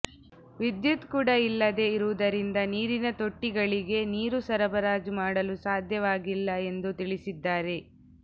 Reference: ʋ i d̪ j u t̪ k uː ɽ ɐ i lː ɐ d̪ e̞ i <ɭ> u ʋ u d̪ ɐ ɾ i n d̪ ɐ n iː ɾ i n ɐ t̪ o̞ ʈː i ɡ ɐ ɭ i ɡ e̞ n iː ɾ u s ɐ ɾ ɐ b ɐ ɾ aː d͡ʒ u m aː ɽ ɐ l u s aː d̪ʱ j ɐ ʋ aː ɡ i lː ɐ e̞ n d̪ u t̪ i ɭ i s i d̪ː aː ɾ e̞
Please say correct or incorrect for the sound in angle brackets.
incorrect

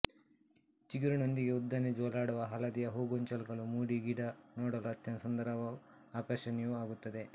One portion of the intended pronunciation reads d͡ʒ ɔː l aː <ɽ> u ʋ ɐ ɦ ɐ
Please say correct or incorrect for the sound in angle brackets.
correct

